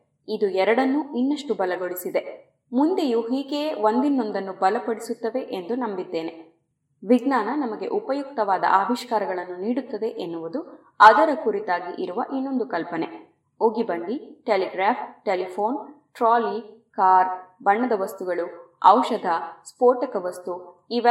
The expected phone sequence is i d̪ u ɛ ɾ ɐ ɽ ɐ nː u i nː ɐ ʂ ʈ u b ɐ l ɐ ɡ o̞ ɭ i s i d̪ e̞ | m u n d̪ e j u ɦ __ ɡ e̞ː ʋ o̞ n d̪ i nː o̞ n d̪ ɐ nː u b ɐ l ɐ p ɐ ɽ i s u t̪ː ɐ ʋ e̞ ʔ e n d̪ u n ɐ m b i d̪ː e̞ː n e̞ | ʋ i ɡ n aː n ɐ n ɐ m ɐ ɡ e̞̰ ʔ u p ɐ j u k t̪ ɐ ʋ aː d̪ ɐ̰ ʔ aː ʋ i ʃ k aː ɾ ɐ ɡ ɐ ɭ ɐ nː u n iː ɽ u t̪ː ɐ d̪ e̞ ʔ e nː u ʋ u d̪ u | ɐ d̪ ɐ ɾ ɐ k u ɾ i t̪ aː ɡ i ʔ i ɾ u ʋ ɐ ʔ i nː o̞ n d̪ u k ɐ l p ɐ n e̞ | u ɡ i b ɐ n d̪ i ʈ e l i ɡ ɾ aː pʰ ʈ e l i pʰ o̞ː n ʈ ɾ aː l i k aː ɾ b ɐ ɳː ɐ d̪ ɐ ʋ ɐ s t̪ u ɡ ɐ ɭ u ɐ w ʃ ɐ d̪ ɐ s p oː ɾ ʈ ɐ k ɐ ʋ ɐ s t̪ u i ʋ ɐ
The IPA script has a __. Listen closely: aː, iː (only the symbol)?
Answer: iː